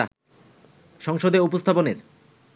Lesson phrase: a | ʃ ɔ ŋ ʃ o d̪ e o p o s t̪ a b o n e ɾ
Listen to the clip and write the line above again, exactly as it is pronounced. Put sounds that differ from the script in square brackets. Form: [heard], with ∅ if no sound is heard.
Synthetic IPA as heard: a | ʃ ɔ ŋ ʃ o d̪ e [u] p o s [t̪ʰ] a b o n e ɾ